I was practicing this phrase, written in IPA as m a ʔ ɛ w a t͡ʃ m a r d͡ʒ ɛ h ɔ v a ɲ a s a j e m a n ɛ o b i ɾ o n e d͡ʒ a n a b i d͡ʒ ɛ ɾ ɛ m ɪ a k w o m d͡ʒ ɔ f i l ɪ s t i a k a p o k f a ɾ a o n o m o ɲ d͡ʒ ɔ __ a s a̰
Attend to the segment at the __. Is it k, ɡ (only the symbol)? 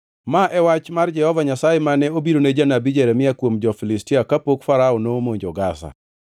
ɡ